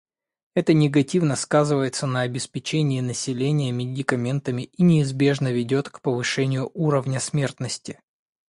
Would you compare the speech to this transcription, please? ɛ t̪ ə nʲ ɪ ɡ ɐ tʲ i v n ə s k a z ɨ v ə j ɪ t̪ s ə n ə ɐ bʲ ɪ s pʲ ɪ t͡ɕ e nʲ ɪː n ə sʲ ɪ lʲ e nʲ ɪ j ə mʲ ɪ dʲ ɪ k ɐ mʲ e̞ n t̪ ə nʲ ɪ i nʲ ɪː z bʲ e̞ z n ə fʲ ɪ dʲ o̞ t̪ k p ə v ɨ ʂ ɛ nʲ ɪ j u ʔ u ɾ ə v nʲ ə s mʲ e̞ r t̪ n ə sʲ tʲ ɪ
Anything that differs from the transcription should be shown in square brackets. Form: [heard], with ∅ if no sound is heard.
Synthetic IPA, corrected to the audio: ɛ t̪ ə nʲ ɪ ɡ ɐ tʲ i v n ə s k a z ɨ v ə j ɪ t̪ s ə n ə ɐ bʲ ɪ s pʲ ɪ t͡ɕ e nʲ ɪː n ə sʲ ɪ lʲ e nʲ ɪ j ə mʲ ɪ dʲ ɪ k ɐ mʲ e̞ n t̪ ə [mʲ] ɪ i nʲ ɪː z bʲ e̞ [ʐ] n ə [vʲ] ɪ dʲ o̞ t̪ k p ə v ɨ ʂ ɛ nʲ ɪ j [ʊ] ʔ u ɾ ə v nʲ ə s mʲ e̞ r t̪ n ə sʲ tʲ ɪ